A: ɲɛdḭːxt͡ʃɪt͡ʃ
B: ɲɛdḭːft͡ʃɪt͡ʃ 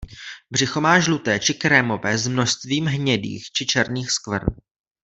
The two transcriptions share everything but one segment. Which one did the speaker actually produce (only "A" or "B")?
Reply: A